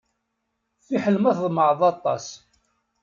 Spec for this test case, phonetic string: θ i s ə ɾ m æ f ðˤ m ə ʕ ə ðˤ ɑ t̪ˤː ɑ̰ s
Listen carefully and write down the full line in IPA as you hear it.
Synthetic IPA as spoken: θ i ħ ə l m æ θ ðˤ m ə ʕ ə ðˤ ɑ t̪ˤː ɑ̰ s